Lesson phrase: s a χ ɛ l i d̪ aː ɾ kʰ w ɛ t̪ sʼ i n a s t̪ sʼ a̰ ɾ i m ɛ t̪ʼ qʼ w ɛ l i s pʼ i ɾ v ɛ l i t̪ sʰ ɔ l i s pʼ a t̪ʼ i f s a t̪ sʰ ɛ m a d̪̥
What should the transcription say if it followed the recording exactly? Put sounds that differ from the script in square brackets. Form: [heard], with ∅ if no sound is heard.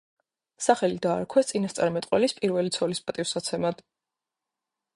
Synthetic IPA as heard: s a χ ɛ l i d̪ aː ɾ kʰ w ɛ t̪ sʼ i n a s t̪ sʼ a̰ ɾ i m ɛ t̪ʼ qʼ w ɛ l i s pʼ i ɾ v ɛ l i t̪ sʰ ɔ l i s pʼ a t̪ʼ i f s a t̪ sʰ ɛ m a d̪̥